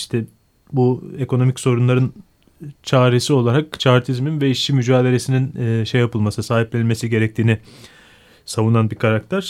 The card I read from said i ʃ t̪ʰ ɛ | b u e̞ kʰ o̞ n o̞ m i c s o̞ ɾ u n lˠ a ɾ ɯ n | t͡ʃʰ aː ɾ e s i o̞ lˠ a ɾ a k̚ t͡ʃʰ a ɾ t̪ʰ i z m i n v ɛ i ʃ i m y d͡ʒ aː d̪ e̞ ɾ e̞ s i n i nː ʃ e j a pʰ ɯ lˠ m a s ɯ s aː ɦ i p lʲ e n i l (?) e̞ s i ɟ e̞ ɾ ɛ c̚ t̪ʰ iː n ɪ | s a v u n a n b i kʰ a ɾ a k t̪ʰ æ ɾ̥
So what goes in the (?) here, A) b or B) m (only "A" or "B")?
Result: B